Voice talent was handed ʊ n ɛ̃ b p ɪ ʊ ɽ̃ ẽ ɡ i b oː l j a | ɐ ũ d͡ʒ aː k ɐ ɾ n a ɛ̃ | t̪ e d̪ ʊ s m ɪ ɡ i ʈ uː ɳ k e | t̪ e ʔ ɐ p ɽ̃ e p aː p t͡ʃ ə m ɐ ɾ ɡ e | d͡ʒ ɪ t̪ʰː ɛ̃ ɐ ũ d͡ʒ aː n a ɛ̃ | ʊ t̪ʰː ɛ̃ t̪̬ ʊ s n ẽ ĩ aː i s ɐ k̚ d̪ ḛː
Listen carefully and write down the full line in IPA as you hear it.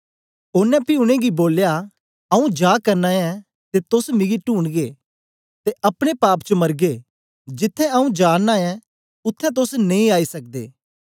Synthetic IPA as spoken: ʊ n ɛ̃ p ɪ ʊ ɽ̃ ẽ ɡ i b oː l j a | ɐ ũ d͡ʒ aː k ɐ ɾ n a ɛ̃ | t̪ e t̪ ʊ s m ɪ ɡ i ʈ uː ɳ ɡ e | t̪ e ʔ ɐ p ɽ̃ e p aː p t͡ʃ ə m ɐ ɾ ɡ e | d͡ʒ ɪ t̪ʰː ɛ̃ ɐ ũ d͡ʒ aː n a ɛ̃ | ʊ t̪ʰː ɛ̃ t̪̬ ʊ s n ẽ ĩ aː i s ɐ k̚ d̪ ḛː